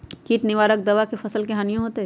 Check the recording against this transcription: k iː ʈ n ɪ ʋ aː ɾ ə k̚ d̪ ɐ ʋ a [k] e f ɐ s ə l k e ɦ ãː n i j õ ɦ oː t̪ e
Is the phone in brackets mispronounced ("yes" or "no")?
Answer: no